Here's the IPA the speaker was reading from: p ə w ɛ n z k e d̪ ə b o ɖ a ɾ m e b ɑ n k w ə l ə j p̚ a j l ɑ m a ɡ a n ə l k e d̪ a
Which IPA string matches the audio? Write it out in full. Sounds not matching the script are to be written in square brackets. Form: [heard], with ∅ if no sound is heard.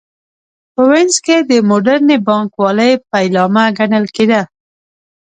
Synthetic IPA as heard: p ə w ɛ n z k e d̪ ə [m] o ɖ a ɾ [n] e b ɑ [ŋ] k w [ɑ] l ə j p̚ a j l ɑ m a ɡ a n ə l k e d̪ a